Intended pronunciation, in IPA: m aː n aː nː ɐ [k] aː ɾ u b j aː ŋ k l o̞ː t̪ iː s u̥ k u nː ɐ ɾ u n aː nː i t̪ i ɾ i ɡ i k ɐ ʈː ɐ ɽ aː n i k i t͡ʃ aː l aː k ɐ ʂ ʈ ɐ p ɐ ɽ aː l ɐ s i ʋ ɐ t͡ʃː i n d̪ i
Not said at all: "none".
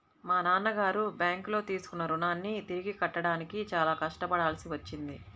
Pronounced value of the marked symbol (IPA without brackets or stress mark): ɡ